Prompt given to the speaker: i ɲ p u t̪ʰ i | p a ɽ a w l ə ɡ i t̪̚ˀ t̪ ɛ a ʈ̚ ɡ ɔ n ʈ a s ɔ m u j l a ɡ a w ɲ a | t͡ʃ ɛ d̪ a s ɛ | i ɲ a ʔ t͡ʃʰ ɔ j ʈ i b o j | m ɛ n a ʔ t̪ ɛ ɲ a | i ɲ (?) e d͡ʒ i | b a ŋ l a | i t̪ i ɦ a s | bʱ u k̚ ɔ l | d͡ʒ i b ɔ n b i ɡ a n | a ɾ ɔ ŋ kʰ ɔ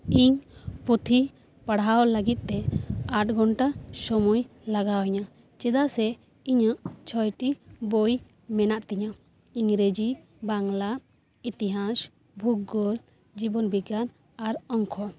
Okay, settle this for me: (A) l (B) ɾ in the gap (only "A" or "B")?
B